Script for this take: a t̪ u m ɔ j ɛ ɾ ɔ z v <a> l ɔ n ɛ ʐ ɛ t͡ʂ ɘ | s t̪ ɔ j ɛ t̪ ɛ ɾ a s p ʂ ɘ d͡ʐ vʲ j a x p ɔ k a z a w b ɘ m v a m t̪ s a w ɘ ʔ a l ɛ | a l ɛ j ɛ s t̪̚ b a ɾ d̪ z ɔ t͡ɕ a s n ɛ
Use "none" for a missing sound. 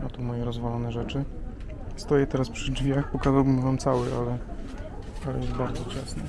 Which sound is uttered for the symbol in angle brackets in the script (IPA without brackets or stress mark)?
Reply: a